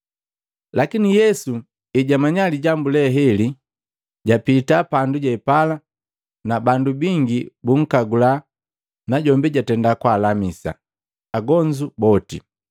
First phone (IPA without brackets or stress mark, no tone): l